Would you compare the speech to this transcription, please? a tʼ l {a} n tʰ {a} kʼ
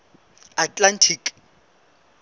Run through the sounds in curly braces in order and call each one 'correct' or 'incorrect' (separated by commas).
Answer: correct, incorrect